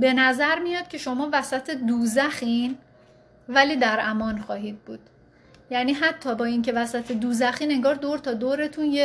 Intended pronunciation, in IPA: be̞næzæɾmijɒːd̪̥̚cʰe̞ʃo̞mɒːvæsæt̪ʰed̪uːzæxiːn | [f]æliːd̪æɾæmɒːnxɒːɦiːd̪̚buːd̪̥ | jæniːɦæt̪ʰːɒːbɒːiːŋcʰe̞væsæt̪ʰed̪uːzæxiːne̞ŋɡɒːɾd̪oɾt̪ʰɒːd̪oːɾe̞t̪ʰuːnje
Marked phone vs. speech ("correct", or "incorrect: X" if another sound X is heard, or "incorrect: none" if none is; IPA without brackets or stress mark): incorrect: v